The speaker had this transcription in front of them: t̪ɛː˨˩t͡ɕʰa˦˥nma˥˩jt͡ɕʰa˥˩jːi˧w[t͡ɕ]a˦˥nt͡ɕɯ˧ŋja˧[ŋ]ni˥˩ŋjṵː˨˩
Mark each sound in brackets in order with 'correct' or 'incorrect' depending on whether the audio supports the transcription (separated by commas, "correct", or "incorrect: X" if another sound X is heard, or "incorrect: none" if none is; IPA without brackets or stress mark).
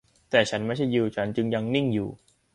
incorrect: t͡ɕʰ, correct